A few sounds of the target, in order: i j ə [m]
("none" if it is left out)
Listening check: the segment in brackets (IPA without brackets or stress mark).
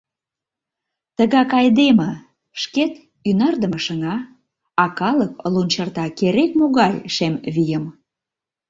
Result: m